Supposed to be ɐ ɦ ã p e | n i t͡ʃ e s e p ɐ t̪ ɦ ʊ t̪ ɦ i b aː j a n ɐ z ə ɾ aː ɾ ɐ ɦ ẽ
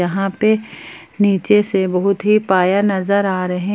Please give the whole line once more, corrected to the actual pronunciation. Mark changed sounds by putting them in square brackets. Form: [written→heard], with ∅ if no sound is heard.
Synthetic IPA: ɐ ɦ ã p e | n [i→iː] t͡ʃ e s e [p→b] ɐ [t̪→∅] ɦ ʊ t̪ ɦ i [b→p] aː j a n ɐ z ə ɾ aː ɾ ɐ ɦ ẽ